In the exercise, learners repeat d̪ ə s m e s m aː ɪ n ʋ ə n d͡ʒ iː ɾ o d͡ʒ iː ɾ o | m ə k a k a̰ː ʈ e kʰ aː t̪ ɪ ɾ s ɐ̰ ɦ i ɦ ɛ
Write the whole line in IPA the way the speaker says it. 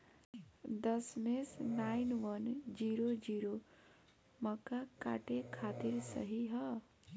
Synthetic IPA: d̪ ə s m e s n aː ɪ n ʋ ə n d͡ʒ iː ɾ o d͡ʒ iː ɾ o | m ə k a k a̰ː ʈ e kʰ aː t̪ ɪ ɾ s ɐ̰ ɦ i ɦ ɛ